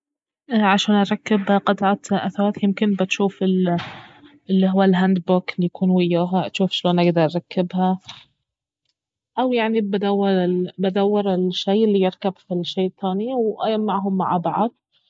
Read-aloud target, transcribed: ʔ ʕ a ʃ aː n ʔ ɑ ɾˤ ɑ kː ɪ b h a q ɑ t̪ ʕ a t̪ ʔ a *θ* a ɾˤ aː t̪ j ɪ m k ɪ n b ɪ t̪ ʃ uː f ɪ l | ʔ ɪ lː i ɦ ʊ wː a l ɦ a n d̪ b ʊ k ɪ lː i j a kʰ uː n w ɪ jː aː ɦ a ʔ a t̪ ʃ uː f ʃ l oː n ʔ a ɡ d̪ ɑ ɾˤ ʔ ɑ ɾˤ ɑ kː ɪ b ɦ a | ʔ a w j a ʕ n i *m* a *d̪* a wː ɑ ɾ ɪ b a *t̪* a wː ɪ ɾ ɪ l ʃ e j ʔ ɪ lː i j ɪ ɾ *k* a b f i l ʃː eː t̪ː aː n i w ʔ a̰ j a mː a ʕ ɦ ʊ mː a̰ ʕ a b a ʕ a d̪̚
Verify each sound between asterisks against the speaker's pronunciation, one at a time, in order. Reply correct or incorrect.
correct, incorrect: b, correct, incorrect: d̪, correct

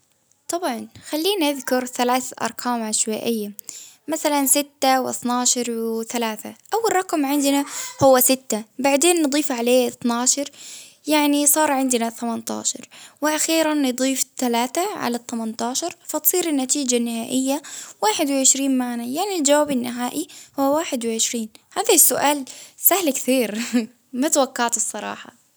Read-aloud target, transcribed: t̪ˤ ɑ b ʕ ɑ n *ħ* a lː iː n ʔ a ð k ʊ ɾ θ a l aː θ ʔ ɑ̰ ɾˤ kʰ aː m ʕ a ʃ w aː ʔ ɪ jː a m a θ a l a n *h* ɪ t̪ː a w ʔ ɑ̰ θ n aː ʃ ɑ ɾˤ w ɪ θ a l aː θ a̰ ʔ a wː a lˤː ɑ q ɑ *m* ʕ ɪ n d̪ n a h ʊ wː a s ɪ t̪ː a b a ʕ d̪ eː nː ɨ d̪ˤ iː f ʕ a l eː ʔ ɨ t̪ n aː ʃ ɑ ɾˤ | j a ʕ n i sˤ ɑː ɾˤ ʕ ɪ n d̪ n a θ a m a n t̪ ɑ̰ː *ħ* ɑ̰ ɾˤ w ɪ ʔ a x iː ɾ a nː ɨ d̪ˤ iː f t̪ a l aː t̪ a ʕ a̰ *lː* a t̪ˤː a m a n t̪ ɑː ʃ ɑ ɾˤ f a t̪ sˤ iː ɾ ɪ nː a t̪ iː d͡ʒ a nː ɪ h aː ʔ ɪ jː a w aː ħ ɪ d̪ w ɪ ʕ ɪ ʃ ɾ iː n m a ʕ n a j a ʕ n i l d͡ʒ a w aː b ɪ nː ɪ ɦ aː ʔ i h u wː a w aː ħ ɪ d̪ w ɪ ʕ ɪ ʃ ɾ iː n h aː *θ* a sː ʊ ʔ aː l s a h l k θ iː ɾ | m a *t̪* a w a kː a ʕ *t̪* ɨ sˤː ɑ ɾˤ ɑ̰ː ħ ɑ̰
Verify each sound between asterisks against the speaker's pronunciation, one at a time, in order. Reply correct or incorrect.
incorrect: x, incorrect: s, correct, incorrect: ʃ, incorrect: l, incorrect: ð, correct, correct

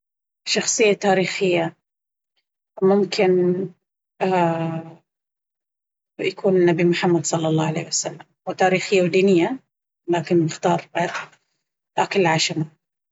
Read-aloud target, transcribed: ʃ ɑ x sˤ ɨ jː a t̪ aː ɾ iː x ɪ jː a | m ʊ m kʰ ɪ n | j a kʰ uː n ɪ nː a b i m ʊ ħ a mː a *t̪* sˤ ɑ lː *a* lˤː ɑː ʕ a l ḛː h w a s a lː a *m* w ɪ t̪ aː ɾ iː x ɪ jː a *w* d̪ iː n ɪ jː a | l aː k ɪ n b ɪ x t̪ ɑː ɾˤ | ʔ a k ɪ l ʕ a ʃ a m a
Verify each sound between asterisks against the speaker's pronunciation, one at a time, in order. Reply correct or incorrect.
incorrect: d̪, incorrect: ɑ, correct, correct

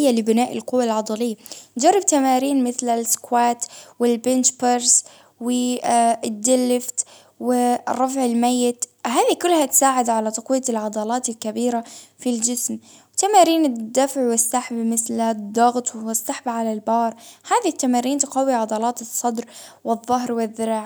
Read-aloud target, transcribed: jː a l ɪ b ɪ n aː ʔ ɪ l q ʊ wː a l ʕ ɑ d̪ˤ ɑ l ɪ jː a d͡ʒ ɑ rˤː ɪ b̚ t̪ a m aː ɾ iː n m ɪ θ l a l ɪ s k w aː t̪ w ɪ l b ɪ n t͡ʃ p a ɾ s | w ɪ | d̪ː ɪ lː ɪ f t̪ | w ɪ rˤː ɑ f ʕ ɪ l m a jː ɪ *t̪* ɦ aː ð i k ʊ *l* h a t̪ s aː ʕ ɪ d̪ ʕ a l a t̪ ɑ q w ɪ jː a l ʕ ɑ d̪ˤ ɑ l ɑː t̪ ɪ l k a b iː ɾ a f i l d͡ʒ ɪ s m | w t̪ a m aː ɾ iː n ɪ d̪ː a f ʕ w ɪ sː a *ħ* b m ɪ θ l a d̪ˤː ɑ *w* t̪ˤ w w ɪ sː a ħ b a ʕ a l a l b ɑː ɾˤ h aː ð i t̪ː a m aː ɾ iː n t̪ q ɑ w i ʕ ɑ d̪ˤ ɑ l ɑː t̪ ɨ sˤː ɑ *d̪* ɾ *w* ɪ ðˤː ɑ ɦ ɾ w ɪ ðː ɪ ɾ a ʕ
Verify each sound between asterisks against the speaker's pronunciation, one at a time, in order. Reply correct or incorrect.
correct, incorrect: lː, correct, incorrect: ɣ, correct, correct

